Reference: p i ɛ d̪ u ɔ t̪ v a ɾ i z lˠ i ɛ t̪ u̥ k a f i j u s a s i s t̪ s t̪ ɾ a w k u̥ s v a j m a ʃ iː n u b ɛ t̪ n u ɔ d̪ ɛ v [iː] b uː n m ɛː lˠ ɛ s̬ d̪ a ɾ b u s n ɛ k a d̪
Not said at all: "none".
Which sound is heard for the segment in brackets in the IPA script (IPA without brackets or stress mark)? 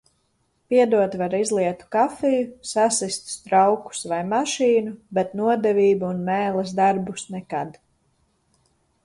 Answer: iː